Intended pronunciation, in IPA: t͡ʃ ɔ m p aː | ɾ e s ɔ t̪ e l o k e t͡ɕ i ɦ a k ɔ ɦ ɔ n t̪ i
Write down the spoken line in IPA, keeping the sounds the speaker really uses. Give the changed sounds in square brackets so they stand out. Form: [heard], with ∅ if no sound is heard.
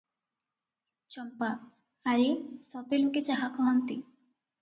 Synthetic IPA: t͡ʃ ɔ m p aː | ɾ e s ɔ t̪ e l o k e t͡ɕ [a] ɦ a k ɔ ɦ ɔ n t̪ i